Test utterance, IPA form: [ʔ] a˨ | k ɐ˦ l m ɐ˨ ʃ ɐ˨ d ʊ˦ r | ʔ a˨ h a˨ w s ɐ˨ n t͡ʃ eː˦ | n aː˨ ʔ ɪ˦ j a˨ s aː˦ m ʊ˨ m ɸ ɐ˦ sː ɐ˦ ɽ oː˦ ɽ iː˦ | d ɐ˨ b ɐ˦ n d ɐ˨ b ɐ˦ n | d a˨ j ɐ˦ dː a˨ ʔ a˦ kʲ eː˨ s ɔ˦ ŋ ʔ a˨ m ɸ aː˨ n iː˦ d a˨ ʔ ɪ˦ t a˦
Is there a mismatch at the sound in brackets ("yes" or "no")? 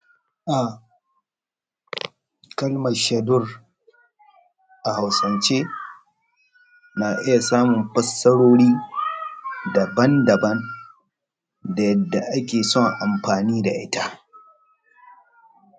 no